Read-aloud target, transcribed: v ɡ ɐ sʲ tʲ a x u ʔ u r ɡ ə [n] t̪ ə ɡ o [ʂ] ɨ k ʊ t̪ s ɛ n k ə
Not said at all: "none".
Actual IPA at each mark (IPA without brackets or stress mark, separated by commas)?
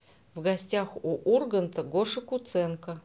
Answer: n, ʂ